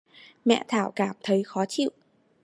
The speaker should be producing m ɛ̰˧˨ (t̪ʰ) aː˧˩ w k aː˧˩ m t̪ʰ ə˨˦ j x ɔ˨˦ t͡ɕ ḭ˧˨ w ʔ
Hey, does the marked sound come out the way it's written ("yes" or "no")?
yes